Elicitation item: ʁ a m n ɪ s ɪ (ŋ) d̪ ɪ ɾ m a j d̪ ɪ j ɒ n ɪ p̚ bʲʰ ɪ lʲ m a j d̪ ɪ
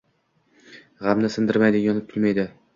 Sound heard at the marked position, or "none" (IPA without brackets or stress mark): n